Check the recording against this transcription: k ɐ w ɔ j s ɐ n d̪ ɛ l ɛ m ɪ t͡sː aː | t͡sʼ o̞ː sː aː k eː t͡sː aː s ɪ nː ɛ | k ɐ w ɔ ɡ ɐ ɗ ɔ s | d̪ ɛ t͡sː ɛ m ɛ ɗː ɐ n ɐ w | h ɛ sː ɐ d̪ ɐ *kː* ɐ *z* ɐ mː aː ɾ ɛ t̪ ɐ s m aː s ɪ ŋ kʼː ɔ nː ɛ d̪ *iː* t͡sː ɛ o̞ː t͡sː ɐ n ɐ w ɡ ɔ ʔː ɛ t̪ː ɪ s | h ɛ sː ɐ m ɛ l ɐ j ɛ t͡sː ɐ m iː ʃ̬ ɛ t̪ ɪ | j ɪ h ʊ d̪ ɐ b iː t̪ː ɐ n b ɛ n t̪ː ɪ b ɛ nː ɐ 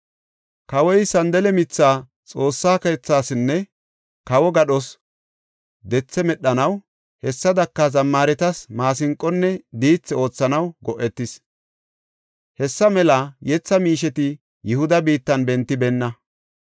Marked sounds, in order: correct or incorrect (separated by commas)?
correct, correct, correct